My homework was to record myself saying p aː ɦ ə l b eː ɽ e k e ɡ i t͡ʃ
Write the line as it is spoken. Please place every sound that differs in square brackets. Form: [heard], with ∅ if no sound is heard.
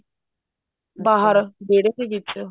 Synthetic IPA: [b] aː ɦ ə [ɾ] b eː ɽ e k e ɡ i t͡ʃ